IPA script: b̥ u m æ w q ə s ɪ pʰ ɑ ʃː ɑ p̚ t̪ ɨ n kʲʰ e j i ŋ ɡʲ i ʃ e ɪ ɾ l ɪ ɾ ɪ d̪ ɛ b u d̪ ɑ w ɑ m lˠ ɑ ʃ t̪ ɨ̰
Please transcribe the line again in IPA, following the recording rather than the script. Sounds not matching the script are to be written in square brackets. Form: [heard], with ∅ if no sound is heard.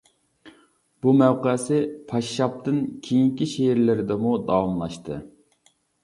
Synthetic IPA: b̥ u m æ w q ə s ɪ pʰ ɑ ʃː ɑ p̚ t̪ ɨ n kʲʰ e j i ŋ [kʲ] i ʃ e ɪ ɾ l ɪ ɾ ɪ d̪ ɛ [m] u d̪ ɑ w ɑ m lˠ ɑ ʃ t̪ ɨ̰